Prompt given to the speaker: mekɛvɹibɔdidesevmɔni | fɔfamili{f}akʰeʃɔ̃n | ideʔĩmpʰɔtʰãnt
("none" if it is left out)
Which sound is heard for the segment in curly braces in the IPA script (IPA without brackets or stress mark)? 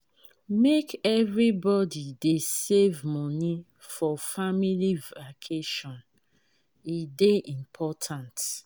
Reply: v